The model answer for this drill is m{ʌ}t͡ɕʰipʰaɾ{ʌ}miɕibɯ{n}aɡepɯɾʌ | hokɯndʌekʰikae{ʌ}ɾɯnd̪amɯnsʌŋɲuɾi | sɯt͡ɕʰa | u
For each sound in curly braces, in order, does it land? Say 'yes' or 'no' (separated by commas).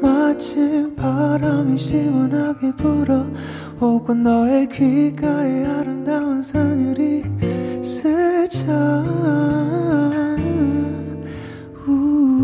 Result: no, no, yes, no